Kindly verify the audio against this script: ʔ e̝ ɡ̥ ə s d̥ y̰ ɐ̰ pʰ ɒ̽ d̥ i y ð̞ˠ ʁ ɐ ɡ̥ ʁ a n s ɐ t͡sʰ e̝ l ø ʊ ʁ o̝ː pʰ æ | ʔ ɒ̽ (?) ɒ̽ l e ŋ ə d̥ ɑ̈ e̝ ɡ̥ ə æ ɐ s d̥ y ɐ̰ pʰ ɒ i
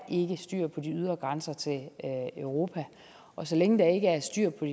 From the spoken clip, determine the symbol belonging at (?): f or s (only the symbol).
s